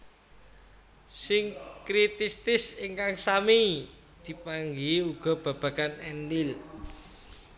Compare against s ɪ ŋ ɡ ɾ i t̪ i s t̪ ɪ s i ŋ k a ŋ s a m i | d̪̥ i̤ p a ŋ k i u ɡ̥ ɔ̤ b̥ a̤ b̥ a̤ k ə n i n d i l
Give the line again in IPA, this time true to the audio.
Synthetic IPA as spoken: s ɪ ŋ k ɾ i t̪ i s t̪ ɪ s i ŋ k a ŋ s a m i | d̪̥ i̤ p a ŋ ɡ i u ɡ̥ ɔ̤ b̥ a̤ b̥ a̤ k a n ɛ n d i l